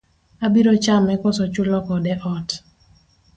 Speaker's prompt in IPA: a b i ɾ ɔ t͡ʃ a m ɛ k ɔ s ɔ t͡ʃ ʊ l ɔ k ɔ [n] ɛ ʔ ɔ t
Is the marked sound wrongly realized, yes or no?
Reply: yes